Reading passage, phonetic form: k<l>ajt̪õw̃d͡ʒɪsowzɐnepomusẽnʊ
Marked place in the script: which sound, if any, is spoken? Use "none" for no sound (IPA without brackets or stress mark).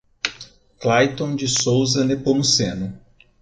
l